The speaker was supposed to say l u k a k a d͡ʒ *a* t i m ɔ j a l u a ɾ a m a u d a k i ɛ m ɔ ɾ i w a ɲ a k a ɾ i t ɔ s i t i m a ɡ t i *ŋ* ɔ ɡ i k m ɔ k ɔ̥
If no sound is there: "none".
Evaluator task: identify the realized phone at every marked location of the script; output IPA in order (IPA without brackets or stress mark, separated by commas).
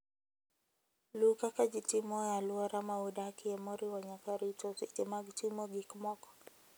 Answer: i, m